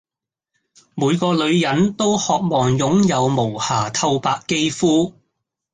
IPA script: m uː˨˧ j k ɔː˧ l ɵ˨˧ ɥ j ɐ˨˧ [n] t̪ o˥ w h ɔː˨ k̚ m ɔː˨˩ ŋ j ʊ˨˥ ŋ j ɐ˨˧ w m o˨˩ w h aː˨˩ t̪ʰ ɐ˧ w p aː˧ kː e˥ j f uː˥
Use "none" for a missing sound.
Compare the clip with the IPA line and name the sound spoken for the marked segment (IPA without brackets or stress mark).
n